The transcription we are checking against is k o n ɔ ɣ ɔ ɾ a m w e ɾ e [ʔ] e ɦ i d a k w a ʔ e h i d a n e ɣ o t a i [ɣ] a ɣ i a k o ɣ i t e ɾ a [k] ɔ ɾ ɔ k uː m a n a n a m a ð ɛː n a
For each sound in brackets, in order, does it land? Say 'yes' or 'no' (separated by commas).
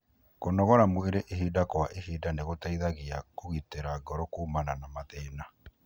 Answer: yes, no, no